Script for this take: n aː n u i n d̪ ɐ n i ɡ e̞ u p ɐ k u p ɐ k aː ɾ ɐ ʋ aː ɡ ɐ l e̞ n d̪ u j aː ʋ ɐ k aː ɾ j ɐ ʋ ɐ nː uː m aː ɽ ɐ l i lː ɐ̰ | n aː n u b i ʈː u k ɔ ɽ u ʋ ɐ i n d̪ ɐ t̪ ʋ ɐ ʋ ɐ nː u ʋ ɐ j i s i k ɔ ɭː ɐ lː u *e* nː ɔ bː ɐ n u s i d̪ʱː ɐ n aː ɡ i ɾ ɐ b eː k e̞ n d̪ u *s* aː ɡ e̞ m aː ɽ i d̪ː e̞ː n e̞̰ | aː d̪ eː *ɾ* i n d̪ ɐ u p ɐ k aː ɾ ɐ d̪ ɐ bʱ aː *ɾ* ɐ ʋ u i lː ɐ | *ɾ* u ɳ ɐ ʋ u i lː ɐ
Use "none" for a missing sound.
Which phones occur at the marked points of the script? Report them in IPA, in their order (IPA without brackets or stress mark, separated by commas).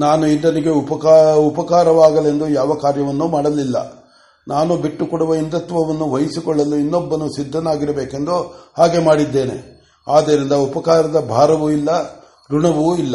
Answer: i, h, ɾ, ɾ, ɾ